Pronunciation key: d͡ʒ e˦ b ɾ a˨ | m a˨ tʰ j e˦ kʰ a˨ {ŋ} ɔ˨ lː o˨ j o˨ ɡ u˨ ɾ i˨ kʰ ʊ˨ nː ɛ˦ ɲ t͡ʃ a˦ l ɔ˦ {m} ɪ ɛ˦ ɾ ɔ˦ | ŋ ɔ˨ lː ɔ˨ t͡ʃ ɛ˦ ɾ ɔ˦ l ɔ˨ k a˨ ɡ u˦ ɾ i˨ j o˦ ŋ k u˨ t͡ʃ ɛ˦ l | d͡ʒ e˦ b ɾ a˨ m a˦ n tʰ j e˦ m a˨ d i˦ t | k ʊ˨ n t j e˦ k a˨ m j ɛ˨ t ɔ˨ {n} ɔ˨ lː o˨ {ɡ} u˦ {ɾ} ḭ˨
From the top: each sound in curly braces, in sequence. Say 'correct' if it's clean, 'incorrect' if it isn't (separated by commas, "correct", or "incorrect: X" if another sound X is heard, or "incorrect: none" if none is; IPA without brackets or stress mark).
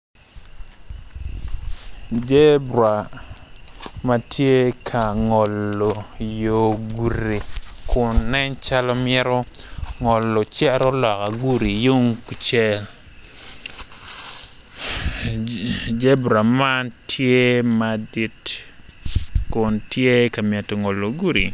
correct, correct, incorrect: ŋ, correct, correct